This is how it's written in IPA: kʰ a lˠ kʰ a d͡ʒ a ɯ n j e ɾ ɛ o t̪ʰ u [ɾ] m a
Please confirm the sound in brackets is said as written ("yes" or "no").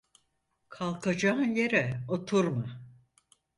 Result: yes